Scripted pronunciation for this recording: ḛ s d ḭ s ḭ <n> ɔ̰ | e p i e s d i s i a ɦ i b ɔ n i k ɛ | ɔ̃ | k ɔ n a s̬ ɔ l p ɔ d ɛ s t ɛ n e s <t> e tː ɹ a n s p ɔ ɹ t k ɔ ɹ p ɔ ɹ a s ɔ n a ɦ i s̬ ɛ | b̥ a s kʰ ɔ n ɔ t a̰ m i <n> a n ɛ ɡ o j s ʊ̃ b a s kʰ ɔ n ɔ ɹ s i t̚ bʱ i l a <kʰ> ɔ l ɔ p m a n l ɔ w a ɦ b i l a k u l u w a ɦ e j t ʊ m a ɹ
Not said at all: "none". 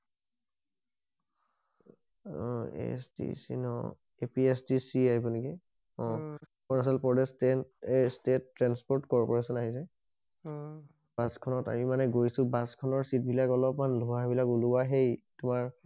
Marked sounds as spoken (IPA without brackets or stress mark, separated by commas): n, t, m, k